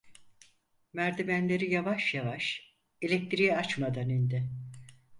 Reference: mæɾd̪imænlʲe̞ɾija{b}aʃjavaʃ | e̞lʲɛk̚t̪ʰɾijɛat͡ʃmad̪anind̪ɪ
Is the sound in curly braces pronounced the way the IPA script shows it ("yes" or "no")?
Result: no